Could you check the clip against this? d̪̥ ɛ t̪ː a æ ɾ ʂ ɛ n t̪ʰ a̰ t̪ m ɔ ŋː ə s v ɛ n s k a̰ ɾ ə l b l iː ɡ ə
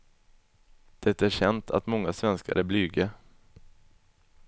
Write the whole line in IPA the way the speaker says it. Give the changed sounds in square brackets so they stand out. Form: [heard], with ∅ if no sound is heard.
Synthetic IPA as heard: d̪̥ ɛ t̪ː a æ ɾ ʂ ɛ n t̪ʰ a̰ t̪ m ɔ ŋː [a] s v ɛ n s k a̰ ɾ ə [∅] b l [yː] ɡ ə